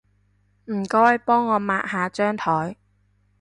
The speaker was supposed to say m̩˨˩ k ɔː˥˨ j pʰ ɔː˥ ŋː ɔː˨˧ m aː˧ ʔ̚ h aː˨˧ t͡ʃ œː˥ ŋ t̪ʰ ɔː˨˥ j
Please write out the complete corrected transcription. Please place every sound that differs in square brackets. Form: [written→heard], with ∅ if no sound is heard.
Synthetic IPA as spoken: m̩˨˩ k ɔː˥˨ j [pʰ→p] ɔː˥ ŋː ɔː˨˧ m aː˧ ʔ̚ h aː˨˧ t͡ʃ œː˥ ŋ t̪ʰ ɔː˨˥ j